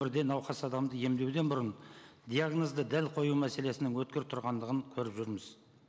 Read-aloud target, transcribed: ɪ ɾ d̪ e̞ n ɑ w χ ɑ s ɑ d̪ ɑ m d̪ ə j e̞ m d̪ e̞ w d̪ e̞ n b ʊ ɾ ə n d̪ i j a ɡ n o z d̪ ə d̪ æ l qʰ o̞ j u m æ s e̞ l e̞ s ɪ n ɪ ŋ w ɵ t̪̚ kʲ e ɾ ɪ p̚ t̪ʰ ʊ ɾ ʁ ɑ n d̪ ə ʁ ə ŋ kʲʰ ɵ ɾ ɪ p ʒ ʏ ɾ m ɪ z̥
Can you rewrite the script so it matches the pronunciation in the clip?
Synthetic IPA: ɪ ɾ d̪ e̞ n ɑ w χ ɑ s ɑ d̪ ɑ m d̪ ə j e̞ m d̪ e̞ w d̪ e̞ n b ʊ ɾ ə n d̪ i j a ɡ n o z d̪ ə d̪ æ l qʰ o̞ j u m æ s e̞ l e̞ s ɪ n ɪ ŋ w ɵ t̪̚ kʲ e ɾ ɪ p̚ t̪ʰ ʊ ɾ ʁ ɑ n d̪ ə ʁ ə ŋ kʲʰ ɵ ɾ ɪ p ʒ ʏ ɾ m ɪ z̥